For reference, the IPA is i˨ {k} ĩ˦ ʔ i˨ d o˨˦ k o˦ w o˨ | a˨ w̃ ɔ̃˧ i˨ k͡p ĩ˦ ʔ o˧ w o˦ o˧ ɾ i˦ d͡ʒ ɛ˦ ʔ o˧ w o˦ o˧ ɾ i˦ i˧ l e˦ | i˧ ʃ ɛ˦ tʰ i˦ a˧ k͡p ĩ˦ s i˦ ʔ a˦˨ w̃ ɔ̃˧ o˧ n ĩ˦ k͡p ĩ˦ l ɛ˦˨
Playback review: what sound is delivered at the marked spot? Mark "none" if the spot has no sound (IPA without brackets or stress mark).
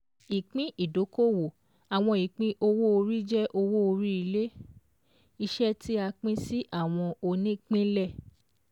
k͡p